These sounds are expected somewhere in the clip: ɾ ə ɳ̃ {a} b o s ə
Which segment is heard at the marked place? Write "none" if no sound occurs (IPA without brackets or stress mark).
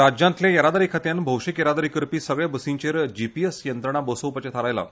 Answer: a